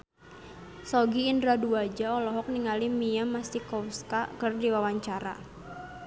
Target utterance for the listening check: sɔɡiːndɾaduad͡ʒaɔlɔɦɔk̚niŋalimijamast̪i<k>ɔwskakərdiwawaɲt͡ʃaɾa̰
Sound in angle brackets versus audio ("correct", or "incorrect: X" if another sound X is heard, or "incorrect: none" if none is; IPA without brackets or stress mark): correct